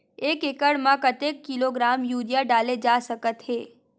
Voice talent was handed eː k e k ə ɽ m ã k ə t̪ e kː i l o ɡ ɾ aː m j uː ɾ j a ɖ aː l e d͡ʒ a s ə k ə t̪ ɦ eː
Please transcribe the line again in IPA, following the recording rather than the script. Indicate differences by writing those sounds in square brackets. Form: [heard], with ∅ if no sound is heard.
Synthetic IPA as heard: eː k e k ə ɽ m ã k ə t̪ e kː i l o ɡ ɾ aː m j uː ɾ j a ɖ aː l e d͡ʒ a s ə k ə t̪ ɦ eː